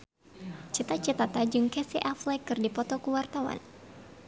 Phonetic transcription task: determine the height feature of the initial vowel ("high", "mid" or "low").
high